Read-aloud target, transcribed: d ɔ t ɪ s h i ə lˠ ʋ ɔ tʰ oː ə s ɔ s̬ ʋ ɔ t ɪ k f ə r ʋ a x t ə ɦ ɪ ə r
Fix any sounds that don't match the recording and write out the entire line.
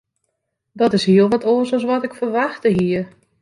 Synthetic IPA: d ɔ t ɪ s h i ə lˠ ʋ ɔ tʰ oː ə s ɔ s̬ ʋ ɔ t ɪ k f ə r ʋ a x t ə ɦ i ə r